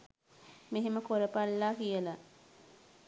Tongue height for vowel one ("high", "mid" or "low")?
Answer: mid